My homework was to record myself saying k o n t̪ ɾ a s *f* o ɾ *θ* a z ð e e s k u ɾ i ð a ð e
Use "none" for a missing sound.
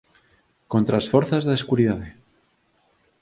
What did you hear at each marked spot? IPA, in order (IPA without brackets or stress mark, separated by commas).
f, θ